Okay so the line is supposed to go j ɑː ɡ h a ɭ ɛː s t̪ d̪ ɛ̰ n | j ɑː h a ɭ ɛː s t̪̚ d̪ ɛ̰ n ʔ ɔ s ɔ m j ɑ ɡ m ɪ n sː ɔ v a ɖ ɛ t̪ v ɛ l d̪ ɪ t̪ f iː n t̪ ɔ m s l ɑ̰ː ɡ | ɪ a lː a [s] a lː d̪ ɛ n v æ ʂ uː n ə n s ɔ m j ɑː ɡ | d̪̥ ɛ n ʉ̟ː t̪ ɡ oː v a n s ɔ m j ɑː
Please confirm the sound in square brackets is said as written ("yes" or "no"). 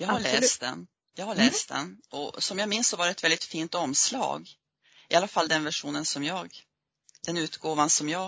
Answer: no